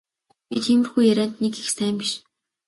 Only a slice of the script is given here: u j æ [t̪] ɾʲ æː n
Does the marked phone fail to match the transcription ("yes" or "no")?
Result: yes